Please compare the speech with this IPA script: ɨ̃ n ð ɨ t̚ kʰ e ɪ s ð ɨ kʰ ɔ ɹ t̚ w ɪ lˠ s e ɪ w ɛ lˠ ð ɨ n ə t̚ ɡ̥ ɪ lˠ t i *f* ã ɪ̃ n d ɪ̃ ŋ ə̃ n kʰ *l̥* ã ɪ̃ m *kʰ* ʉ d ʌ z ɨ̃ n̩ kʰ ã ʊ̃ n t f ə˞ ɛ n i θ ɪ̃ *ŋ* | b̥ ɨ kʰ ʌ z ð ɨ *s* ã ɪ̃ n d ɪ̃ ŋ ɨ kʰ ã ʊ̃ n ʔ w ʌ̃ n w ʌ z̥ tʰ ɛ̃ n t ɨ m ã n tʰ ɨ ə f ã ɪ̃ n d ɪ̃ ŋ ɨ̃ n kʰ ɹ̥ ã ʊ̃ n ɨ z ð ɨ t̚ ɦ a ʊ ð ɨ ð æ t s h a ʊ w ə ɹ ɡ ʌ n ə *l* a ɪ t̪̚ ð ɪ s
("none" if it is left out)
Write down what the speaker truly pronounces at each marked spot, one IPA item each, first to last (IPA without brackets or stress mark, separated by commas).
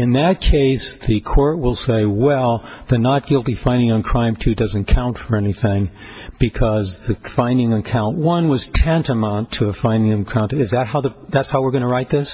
f, ɹ̥, tʰ, ŋ, f, ɹ